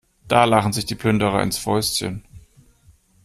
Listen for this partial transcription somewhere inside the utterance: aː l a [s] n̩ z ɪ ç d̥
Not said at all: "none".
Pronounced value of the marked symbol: χ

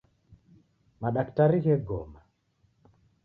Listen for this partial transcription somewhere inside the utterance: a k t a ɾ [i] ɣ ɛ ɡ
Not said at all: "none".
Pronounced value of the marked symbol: i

